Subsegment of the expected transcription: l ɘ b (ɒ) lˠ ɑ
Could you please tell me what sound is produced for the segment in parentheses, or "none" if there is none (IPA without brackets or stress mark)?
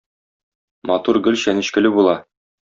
u